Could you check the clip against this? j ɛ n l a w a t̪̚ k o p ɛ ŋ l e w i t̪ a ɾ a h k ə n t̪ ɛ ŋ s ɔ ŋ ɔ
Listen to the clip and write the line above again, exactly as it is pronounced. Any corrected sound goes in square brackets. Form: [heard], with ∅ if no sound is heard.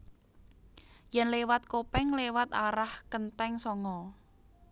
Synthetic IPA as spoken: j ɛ n l [e] w a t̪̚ k o p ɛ ŋ l e w [a] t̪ a ɾ a h k ə n t̪ ɛ ŋ s ɔ ŋ ɔ